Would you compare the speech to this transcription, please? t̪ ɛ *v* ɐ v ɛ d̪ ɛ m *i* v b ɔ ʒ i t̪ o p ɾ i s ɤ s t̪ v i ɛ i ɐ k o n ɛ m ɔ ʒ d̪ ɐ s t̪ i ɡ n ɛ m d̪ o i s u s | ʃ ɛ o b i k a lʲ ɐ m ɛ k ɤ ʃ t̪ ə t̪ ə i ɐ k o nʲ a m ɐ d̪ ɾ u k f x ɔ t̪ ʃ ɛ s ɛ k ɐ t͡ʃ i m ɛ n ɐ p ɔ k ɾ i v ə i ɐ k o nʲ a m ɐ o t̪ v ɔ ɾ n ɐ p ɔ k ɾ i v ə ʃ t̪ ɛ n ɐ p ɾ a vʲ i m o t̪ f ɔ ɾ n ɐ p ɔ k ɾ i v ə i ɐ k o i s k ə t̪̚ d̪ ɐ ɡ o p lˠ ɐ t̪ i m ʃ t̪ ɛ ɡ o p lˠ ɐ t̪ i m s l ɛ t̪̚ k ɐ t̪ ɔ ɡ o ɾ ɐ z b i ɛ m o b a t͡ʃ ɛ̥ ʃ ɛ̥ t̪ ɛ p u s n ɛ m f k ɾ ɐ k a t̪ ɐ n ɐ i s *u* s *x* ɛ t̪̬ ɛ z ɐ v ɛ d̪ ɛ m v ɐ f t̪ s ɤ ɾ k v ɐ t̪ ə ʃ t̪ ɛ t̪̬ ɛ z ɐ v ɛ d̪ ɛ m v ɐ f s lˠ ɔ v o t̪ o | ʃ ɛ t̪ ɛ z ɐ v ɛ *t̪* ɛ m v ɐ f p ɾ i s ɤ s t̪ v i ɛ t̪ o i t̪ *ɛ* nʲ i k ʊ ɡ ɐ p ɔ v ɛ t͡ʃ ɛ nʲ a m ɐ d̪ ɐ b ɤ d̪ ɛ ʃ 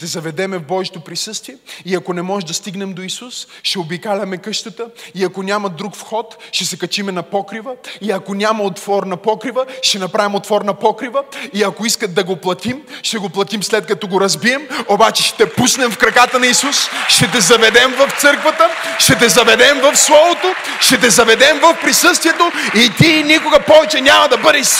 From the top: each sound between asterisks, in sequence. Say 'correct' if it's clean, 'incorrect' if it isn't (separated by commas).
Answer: incorrect, incorrect, correct, incorrect, incorrect, incorrect